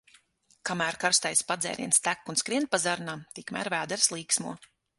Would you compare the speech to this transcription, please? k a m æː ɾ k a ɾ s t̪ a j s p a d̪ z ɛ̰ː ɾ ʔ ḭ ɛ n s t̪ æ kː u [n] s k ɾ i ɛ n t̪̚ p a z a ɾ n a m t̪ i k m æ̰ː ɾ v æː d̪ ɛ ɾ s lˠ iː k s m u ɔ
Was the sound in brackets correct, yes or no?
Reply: yes